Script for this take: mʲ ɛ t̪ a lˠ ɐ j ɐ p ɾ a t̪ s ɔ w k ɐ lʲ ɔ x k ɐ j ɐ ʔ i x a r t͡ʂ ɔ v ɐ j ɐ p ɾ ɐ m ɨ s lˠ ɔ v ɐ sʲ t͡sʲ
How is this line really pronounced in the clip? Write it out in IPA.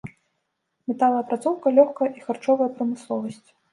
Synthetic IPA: mʲ ɛ t̪ a lˠ ɐ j ɐ p ɾ a t̪ s ɔ w k ɐ lʲ ɔ x k ɐ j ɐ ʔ i x a r t͡ʂ ɔ v ɐ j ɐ p ɾ ɐ m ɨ s lˠ ɔ v ɐ sʲ t͡sʲ